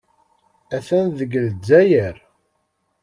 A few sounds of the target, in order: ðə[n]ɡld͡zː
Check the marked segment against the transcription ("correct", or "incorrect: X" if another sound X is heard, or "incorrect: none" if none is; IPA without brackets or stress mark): incorrect: none